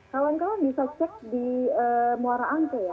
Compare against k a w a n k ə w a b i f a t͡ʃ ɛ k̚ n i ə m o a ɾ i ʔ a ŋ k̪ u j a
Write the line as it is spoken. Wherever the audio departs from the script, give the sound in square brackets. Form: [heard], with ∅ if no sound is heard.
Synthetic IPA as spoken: k a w a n k [a] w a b i [s] a t͡ʃ ɛ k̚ [d] i ə m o a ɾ [a] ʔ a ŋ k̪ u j a

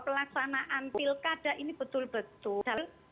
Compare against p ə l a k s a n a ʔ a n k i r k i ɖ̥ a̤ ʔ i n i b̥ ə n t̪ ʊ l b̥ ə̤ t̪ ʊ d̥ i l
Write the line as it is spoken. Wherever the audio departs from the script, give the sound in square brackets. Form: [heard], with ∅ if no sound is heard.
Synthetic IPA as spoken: p ə l a k s a n a ʔ a n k i [l] k [a] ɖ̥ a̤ ʔ i n i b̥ ə [∅] t̪ ʊ l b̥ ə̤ t̪ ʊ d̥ [a] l

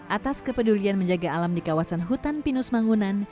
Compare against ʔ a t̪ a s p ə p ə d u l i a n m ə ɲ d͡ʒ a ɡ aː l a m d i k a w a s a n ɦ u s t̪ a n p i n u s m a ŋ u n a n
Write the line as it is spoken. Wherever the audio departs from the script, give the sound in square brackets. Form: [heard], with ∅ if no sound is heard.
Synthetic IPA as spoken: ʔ a t̪ a s [k] ə p ə d u l i a n m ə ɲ d͡ʒ a ɡ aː l a m d i k a w a s a n ɦ u [∅] t̪ a n p i n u s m a ŋ u n a n

